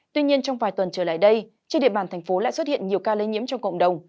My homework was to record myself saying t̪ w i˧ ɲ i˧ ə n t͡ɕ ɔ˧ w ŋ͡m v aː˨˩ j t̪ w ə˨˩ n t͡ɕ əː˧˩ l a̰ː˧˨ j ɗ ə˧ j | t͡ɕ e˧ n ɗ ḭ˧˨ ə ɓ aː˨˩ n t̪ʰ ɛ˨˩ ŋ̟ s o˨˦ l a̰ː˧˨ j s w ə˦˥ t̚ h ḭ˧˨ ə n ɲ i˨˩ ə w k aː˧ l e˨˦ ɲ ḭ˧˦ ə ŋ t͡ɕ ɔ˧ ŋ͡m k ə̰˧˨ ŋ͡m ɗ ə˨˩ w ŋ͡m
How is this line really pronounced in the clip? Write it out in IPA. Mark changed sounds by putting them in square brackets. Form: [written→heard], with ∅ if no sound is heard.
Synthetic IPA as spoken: t̪ w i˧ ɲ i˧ ə n t͡ɕ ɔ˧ w ŋ͡m v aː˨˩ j t̪ w ə˨˩ n t͡ɕ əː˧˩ l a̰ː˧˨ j ɗ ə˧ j | t͡ɕ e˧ n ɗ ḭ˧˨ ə ɓ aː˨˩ n t̪ʰ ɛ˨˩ ŋ̟ [s→f] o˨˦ l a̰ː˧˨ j s w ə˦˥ t̚ h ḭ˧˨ ə n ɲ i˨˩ ə w k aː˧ l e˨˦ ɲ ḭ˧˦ ə [ŋ→m] t͡ɕ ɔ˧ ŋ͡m k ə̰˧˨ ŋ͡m ɗ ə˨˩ w ŋ͡m